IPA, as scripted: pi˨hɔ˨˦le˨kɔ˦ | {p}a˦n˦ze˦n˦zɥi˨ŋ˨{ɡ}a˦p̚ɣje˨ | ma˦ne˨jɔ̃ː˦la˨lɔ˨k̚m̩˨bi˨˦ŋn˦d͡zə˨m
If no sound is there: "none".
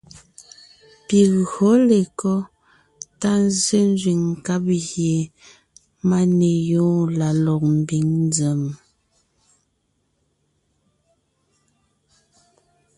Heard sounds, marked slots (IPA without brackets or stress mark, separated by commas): t, k